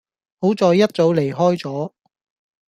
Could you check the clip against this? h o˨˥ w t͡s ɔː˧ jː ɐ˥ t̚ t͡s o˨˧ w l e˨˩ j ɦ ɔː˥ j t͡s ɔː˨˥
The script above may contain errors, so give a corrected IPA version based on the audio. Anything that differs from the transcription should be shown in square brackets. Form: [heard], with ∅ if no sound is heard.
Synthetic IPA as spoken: h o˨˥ w t͡s ɔː˧ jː ɐ˥ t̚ t͡s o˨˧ w l e˨˩ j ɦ ɔː˥ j t͡s ɔː˨˥